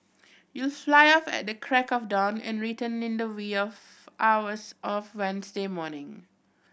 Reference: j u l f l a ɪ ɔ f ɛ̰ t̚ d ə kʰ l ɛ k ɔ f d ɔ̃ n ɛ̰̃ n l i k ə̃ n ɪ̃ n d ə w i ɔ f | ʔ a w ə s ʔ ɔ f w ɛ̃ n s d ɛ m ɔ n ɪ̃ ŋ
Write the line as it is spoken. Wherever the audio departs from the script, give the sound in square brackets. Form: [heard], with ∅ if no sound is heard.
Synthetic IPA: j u l f l a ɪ ɔ f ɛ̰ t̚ d ə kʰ [ɹ] ɛ k ɔ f d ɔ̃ n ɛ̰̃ n [ɹ] i [t] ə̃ n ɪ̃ n d ə w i ɔ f | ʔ a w ə s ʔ ɔ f w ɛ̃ n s d [e] m ɔ n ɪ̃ ŋ